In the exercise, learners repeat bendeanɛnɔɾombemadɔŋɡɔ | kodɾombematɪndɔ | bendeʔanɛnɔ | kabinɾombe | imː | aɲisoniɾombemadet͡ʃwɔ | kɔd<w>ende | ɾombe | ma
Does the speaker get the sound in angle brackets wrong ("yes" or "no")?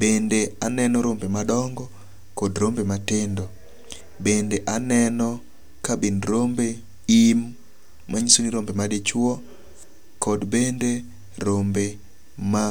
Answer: yes